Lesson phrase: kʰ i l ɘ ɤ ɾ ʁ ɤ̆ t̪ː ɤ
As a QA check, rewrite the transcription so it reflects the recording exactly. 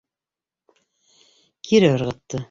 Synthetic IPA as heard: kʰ i ɾ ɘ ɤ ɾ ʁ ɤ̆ t̪ː ɤ